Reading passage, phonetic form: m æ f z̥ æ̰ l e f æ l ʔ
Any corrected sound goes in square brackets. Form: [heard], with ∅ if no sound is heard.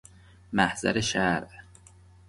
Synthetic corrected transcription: m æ [h] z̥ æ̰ [ɾ] e [ʃ] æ [ɾ] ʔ